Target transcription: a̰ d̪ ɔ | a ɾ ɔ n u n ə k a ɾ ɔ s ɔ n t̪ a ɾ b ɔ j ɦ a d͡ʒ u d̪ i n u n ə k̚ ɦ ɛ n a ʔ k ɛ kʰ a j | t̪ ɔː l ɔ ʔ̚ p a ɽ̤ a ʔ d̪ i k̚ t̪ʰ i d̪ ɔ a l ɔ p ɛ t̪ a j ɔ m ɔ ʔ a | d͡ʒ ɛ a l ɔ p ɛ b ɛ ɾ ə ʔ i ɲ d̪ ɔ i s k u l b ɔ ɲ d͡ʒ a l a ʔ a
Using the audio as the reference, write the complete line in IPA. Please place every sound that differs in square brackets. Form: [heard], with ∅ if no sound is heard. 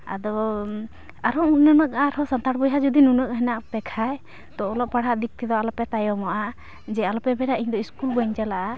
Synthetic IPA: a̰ d̪ ɔ | a ɾ ɔ n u n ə k a ɾ ɔ s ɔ n t̪ a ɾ b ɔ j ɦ a d͡ʒ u d̪ i n u n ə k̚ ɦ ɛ n a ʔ [p] ɛ kʰ a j | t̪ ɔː l ɔ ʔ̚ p a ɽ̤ a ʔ d̪ i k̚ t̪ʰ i d̪ ɔ a l ɔ p ɛ t̪ a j ɔ m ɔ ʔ a | d͡ʒ ɛ a l ɔ p ɛ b ɛ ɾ [a] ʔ i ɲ d̪ ɔ i s k u l b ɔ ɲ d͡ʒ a l a ʔ a

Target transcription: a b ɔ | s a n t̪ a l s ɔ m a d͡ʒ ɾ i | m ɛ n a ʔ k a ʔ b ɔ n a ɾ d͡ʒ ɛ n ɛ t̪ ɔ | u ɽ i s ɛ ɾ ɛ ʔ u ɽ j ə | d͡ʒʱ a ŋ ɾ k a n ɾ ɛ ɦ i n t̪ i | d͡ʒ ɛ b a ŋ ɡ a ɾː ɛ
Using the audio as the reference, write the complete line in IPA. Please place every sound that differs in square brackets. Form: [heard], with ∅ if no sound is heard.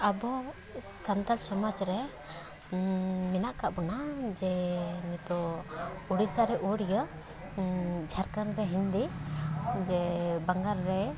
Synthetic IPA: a b ɔ | s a n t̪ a l s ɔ m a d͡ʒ ɾ [ɛ] | m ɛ n a ʔ k a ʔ b ɔ n a [∅] d͡ʒ ɛ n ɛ t̪ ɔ | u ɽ i s [a] ɾ ɛ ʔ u ɽ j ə | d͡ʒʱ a [∅] ɾ k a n ɾ ɛ ɦ i n [d̪] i | d͡ʒ ɛ b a ŋ ɡ a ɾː ɛ

